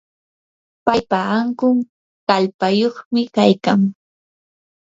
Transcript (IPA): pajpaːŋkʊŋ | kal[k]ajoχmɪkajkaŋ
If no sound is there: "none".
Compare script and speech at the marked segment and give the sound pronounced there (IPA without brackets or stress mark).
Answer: p